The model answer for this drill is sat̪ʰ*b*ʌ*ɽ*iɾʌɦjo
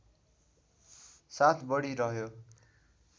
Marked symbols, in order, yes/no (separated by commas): yes, yes